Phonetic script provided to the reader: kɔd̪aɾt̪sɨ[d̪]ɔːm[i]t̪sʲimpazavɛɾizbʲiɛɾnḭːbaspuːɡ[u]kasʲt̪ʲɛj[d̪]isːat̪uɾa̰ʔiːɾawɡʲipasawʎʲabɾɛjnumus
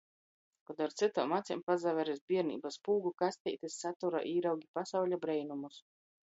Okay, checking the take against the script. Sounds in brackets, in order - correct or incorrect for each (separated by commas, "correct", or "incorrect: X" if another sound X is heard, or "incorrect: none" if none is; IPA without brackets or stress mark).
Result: incorrect: t̪, incorrect: a, correct, incorrect: t̪